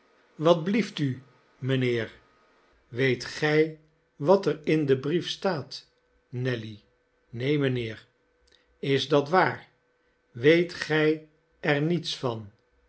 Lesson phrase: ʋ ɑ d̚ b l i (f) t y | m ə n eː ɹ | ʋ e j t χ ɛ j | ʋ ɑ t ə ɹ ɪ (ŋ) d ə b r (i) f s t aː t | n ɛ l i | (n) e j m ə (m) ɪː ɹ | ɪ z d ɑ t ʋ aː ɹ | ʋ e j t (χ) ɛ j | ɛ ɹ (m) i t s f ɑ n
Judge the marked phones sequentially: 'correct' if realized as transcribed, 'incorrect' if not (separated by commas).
correct, incorrect, correct, correct, incorrect, correct, incorrect